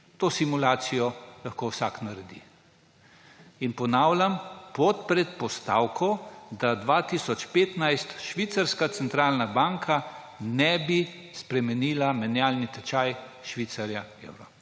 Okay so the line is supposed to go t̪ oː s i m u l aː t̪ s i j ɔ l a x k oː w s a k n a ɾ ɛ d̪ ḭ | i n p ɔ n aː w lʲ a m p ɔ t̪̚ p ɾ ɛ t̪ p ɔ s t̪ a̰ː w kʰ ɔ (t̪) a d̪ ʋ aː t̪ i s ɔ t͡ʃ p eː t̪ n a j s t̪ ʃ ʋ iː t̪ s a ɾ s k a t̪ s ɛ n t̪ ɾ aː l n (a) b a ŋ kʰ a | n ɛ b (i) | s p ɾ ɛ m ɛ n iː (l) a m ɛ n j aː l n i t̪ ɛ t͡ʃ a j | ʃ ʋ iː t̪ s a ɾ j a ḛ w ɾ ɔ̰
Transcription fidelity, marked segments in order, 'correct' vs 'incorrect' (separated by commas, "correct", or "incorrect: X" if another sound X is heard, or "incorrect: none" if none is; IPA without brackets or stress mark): incorrect: d̪, correct, correct, correct